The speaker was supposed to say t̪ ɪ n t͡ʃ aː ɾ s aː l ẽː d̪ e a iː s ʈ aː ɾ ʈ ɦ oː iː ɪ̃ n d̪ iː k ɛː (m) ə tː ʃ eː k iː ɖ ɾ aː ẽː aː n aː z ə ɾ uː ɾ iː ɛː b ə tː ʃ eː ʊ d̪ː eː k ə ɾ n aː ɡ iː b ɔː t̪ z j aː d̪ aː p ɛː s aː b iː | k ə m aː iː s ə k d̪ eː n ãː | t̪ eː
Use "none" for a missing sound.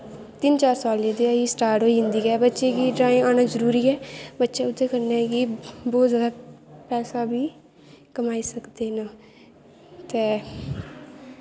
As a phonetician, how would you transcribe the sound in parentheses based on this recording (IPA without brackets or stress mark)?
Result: b